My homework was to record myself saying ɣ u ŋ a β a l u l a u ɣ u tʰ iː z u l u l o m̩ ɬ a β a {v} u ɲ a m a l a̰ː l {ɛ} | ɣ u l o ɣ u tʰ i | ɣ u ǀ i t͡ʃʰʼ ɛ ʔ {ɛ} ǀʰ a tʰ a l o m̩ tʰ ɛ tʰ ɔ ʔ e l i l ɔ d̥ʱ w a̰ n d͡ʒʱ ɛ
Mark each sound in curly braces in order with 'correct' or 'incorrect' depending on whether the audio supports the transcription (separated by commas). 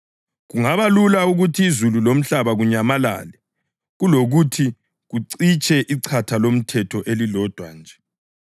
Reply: incorrect, correct, incorrect